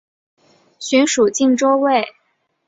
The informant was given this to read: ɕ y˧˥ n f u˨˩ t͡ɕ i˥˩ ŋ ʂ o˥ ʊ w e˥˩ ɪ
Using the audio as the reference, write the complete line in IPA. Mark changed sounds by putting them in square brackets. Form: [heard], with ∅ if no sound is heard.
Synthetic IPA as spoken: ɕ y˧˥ n [ʂ] u˨˩ t͡ɕ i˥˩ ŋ [ʈ͡ʂ] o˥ ʊ w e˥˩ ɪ